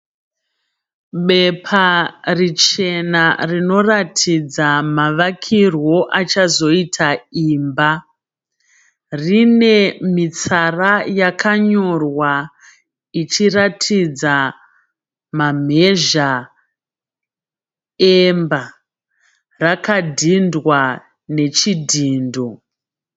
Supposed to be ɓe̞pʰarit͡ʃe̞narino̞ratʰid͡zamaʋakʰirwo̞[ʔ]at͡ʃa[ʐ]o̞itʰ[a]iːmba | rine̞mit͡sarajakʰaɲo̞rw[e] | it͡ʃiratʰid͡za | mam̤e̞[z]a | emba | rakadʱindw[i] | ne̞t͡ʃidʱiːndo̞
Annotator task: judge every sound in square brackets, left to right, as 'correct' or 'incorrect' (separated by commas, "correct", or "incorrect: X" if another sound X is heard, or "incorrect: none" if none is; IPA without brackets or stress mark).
correct, incorrect: z, correct, incorrect: a, incorrect: ʒ, incorrect: a